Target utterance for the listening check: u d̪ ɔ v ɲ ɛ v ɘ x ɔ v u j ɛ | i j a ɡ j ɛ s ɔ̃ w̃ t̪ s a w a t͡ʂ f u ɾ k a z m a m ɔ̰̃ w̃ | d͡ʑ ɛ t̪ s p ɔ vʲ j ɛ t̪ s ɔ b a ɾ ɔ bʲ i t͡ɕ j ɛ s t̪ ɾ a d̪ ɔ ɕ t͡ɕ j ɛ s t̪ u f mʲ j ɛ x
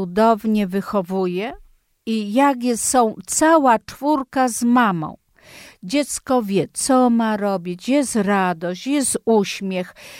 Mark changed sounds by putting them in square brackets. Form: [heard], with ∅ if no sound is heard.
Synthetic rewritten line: u d̪ ɔ v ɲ ɛ v ɘ x ɔ v u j ɛ | i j a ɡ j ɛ s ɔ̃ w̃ t̪ s a w a t͡ʂ f u ɾ k a z m a m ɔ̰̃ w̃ | d͡ʑ ɛ t̪ s [k] ɔ vʲ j ɛ t̪ s ɔ [m] a ɾ ɔ bʲ i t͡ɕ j ɛ s t̪ ɾ a d̪ ɔ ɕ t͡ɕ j ɛ s t̪ u [ɕ] mʲ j ɛ x